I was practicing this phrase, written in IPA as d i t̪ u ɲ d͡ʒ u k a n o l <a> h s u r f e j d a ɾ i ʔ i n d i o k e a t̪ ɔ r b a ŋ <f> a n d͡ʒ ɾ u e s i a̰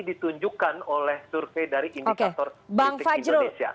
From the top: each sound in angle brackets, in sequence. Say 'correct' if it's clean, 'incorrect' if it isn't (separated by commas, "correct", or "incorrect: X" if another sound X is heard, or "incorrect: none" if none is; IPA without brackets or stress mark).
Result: incorrect: ɛ, correct